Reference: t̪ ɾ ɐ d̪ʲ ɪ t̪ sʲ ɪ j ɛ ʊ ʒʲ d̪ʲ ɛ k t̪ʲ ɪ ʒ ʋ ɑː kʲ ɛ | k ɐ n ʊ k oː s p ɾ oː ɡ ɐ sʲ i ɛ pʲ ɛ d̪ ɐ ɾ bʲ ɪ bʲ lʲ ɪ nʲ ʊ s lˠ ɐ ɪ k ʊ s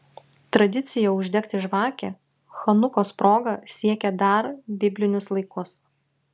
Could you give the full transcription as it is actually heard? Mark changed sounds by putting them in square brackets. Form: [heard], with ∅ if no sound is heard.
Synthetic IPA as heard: t̪ ɾ ɐ d̪ʲ ɪ t̪ sʲ ɪ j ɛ ʊ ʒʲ d̪ʲ ɛ k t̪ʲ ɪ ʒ ʋ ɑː kʲ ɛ | [x] ɐ n ʊ k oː s p ɾ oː ɡ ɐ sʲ i ɛ [kʲ] ɛ d̪ ɐ ɾ bʲ ɪ bʲ lʲ ɪ nʲ ʊ s lˠ ɐ ɪ k ʊ s